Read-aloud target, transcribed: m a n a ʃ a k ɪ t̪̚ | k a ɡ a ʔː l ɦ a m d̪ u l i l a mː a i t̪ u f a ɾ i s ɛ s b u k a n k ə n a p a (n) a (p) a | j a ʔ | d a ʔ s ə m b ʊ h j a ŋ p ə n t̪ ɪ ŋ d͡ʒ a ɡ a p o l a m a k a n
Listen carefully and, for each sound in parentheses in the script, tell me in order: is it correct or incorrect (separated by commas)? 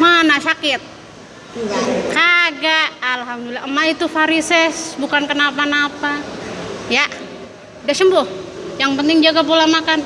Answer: correct, correct